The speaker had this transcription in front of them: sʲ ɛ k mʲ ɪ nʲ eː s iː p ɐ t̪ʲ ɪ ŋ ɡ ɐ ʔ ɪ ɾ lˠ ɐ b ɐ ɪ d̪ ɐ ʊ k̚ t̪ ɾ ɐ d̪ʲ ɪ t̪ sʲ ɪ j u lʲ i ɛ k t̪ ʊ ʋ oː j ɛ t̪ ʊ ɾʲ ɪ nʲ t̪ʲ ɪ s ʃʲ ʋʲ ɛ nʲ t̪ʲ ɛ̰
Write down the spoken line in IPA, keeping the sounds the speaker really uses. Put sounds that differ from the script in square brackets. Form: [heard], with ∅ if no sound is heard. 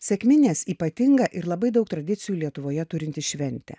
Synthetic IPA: sʲ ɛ k mʲ ɪ nʲ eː s iː p ɐ t̪ʲ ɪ ŋ ɡ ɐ ʔ ɪ ɾ lˠ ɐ b ɐ ɪ d̪ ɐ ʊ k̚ t̪ ɾ ɐ d̪ʲ ɪ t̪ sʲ ɪ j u lʲ i ɛ [∅] t̪ ʊ ʋ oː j ɛ t̪ ʊ ɾʲ ɪ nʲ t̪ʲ ɪ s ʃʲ ʋʲ ɛ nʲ t̪ʲ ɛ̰